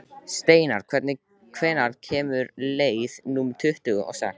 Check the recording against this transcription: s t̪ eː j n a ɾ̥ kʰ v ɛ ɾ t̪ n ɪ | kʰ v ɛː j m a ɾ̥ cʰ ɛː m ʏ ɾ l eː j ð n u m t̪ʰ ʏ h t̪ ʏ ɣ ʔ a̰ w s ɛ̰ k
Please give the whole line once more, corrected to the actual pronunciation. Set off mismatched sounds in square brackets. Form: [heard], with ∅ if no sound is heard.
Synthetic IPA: s t̪ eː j n a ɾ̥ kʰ v ɛ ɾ t̪ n ɪ | kʰ v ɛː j [n] a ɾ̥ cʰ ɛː m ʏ ɾ l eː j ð n u m t̪ʰ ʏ h t̪ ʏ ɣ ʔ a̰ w s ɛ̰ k